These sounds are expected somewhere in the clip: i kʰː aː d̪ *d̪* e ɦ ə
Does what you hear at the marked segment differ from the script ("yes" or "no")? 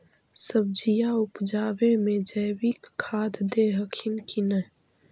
no